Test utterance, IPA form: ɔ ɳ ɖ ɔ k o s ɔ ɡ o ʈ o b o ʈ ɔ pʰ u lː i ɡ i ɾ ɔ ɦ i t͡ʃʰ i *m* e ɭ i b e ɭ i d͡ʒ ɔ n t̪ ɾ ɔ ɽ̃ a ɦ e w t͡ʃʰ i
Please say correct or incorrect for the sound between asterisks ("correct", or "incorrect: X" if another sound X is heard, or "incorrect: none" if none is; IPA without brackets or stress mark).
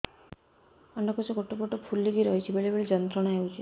incorrect: b